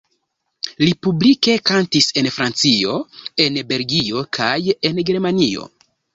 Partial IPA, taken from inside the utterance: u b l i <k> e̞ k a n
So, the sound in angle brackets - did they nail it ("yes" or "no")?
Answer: yes